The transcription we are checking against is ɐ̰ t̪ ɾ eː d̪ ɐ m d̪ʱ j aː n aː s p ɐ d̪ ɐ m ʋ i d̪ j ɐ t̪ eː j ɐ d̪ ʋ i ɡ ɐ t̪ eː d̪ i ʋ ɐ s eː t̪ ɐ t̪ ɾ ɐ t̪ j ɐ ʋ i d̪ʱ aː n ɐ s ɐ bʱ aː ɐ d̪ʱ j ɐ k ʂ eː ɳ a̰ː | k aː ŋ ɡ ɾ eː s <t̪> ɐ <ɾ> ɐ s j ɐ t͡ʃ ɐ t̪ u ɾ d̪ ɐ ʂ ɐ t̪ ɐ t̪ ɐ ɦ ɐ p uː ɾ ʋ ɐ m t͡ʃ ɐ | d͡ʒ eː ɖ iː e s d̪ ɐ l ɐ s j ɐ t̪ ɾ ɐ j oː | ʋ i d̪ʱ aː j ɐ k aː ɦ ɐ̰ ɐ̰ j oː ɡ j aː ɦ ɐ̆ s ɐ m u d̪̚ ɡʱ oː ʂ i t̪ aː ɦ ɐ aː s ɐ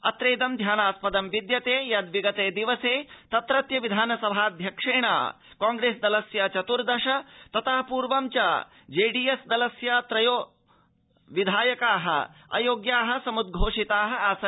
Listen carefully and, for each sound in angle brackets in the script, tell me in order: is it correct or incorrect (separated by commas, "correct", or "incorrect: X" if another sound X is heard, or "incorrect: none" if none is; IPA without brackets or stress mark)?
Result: incorrect: d̪, incorrect: l